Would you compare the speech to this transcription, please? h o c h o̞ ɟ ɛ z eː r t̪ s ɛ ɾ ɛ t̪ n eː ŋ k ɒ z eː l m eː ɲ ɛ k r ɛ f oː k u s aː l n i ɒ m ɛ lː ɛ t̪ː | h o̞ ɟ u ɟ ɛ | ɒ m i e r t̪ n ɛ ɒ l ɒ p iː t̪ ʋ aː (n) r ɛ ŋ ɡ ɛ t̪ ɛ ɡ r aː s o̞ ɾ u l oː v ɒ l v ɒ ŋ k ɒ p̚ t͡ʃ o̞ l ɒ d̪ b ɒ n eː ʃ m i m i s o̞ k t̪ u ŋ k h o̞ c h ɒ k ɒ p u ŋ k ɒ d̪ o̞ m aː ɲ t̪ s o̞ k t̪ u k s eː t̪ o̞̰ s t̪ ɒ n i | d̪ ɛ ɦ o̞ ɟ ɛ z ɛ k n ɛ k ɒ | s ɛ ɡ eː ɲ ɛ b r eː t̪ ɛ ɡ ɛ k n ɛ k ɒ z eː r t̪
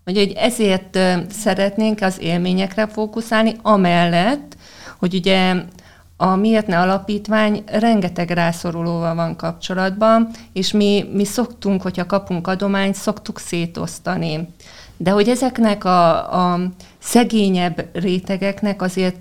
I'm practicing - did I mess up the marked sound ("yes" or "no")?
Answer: yes